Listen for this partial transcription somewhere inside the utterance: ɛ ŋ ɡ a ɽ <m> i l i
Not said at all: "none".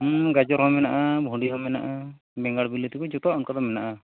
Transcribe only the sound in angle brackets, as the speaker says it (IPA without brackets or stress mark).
b